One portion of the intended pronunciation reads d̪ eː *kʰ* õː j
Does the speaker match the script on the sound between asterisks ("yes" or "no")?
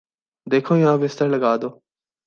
yes